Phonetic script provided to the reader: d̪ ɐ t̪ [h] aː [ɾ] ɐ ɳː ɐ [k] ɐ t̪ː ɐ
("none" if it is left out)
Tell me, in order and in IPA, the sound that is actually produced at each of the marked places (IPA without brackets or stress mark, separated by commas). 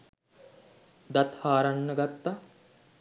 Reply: h, ɾ, ɡ